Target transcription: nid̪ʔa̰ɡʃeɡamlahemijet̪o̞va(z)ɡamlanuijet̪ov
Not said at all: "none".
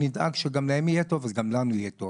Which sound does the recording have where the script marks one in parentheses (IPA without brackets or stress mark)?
z